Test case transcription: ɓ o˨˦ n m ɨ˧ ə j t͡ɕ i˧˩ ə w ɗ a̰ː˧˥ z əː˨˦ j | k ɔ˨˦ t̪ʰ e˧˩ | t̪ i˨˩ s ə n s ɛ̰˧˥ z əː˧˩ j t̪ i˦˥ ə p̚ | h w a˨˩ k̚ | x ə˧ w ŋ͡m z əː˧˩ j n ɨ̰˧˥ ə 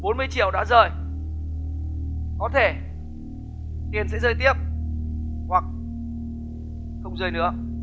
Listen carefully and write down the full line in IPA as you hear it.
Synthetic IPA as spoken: ɓ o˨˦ n m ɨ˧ ə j t͡ɕ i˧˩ ə w ɗ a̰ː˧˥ z əː˨˩ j | k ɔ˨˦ t̪ʰ e˧˩ | t̪ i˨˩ ə n s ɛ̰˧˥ z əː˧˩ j t̪ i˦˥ ə p̚ | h w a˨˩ k̚ | x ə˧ w ŋ͡m z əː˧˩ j n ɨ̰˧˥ ə

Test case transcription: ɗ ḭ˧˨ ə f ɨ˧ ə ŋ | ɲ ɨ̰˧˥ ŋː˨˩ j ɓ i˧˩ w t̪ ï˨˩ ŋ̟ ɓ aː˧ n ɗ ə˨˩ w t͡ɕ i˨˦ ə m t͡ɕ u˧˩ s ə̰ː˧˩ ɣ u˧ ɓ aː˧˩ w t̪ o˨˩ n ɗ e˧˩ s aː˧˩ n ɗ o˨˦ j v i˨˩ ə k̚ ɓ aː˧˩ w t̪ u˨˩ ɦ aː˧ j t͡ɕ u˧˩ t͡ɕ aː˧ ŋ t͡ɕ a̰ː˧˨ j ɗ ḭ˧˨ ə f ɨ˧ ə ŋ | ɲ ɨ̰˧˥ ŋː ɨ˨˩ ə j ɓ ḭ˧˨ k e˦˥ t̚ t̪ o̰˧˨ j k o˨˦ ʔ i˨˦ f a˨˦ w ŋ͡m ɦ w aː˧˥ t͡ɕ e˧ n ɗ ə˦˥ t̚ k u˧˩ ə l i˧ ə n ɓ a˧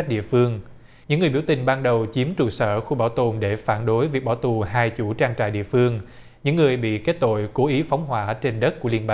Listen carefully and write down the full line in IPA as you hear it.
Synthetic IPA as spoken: ɗ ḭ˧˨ ə f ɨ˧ ə ŋ | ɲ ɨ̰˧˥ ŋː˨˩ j ɓ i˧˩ w t̪ ï˨˩ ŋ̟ ɓ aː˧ n ɗ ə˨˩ w t͡ɕ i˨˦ ə m t͡ɕ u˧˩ s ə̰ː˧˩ x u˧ ɓ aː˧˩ w t̪ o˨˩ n ɗ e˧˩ f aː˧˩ n ɗ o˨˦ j v i˨˩ ə k̚ ɓ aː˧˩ w t̪ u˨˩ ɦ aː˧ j t͡ɕ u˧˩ t͡ɕ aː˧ ŋ t͡ɕ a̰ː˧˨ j ɗ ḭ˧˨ ə f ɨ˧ ə ŋ | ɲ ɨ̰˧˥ ŋː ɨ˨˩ ə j ɓ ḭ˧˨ k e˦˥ t̚ t̪ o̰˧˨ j k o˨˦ ʔ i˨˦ f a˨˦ w ŋ͡m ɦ w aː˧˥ t͡ɕ e˧ n ɗ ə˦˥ t̚ k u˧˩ ə l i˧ ə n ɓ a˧

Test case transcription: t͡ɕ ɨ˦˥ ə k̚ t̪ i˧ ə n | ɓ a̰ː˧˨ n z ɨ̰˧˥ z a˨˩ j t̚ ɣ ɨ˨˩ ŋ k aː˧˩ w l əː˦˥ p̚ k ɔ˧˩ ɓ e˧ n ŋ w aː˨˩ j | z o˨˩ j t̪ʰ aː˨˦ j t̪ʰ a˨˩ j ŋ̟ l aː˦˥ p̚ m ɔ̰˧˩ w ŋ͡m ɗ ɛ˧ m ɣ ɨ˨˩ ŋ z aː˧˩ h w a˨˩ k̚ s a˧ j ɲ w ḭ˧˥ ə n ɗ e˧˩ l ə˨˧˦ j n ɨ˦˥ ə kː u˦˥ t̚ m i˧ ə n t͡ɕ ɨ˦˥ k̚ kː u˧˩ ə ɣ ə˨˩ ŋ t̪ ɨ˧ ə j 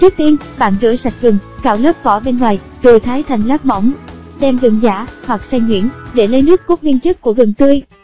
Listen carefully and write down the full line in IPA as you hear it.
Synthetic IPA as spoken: t͡ɕ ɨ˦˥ ə k̚ t̪ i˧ ə n | ɓ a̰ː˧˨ n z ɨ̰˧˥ s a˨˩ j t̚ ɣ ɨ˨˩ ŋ k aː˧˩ w l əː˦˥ p̚ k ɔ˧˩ ɓ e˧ n ŋ w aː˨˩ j | z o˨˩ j t̪ʰ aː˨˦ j t̪ʰ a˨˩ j ŋ̟ l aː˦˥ p̚ m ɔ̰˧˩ w ŋ͡m ɗ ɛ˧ m ɣ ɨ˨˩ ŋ z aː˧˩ h w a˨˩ k̚ s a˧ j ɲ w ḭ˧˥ ə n ɗ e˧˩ l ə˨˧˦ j n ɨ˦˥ ə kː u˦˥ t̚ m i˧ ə n t͡ɕ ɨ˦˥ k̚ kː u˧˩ ə ɣ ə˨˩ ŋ t̪ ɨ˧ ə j

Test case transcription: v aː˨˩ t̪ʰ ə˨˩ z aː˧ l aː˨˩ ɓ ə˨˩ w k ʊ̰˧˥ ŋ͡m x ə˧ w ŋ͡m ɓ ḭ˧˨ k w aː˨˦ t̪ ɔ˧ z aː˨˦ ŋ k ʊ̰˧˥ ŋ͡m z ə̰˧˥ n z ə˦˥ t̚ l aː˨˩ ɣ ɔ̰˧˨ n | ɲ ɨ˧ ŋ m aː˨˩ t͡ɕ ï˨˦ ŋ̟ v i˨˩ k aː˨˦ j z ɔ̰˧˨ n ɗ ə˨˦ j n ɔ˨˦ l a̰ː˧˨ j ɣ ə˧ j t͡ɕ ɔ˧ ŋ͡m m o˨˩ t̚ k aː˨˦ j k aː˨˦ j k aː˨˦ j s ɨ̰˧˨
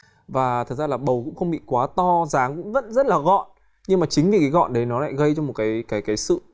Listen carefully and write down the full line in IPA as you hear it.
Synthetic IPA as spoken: v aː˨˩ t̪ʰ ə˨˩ z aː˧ l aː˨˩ ɓ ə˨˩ w k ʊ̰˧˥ ŋ͡m x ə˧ w ŋ͡m ɓ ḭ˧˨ k w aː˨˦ t̪ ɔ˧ z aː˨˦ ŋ k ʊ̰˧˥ ŋ͡m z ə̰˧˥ n z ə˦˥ t̚ l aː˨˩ ɣ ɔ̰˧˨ n | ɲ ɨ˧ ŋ m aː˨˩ t͡ɕ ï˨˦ ŋ̟ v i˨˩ k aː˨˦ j ɣ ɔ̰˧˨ n ɗ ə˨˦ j n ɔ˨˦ l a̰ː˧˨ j ɣ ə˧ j t͡ɕ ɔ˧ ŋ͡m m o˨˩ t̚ k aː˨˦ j k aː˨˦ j k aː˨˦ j s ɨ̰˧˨

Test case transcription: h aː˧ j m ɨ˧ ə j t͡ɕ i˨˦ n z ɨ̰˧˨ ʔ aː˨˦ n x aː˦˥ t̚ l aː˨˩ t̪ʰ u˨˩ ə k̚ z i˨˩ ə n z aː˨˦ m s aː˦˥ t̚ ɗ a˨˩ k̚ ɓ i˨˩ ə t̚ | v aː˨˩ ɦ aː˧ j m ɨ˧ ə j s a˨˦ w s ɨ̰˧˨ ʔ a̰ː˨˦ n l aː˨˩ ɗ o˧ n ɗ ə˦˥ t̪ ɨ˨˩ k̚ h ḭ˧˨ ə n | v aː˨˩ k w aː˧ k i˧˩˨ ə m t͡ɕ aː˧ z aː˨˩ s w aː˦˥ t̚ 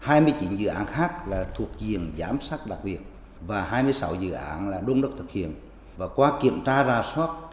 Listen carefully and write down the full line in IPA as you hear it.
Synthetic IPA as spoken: h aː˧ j m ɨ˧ ə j t͡ɕ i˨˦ n z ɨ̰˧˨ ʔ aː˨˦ n x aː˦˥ k̚ l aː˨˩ t̪ʰ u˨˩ ə k̚ z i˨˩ ə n z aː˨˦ m s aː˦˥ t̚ ɗ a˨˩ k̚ ɓ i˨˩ ə t̚ | v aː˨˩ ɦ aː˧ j m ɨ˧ ə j s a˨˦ w z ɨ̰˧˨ ʔ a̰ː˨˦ n l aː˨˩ ɗ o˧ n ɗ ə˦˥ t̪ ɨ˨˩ k̚ h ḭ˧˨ ə n | v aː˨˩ k w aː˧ k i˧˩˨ ə m t͡ɕ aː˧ z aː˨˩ s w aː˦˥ t̚

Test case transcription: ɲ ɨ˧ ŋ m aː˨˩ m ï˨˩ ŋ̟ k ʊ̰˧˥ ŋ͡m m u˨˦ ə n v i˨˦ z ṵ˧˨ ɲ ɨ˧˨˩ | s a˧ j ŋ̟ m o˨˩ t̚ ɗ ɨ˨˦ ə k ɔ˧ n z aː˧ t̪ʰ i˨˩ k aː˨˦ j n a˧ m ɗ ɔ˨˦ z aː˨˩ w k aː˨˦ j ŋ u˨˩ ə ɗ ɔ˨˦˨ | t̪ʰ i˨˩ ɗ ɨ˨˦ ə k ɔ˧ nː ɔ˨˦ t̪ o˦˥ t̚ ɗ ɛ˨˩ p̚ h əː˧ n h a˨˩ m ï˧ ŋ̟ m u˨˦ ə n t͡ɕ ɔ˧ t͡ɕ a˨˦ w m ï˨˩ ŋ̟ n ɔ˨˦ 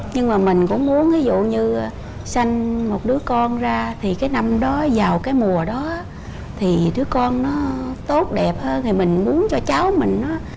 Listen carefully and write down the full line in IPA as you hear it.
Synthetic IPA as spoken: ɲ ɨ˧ ŋ m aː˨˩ m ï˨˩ ŋ̟ k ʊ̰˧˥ ŋ͡m m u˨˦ ə n v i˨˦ z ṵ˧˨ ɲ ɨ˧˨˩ | s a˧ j ŋ̟ m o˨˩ t̚ ɗ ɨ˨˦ ə k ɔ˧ n z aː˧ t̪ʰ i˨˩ k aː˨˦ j n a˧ m ɗ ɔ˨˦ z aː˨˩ w k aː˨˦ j m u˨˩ ə ɗ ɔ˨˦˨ | t̪ʰ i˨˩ ɗ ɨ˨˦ ə k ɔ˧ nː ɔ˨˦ t̪ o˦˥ t̚ ɗ ɛ˨˩ p̚ h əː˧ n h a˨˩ m ï˨˩ ŋ̟ m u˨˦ ə n t͡ɕ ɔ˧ t͡ɕ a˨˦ w m ï˨˩ ŋ̟ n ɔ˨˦

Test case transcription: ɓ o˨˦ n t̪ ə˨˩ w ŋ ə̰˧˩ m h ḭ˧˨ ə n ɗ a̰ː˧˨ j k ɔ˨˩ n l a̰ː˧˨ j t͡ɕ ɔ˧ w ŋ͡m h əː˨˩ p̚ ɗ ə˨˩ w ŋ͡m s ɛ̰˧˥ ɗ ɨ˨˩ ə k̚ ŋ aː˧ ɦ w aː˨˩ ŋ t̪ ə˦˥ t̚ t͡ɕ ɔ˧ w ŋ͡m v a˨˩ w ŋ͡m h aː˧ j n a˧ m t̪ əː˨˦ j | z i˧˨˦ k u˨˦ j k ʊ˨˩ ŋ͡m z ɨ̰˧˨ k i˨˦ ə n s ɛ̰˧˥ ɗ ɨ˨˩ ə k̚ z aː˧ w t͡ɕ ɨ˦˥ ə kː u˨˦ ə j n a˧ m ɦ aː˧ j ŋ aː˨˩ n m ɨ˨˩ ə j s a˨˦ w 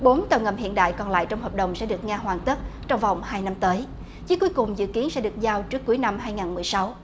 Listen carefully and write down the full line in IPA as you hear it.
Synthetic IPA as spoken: ɓ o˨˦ n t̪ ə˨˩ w ŋ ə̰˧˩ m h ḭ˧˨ ə n ɗ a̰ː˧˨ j k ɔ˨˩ n l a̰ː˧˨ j t͡ɕ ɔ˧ w ŋ͡m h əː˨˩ p̚ ɗ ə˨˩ w ŋ͡m s ɛ̰˧˥ ɗ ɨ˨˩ ə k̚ ŋ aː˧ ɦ w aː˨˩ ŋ t̪ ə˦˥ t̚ t͡ɕ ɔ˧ w ŋ͡m v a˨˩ w ŋ͡m h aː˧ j n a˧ m t̪ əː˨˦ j | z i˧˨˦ k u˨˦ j k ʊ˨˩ ŋ͡m z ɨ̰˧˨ k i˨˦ ə n s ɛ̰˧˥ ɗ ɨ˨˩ ə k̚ z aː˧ w t͡ɕ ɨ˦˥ ə kː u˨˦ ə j n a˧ m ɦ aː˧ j ŋ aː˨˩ n m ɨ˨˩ ə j s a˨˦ w

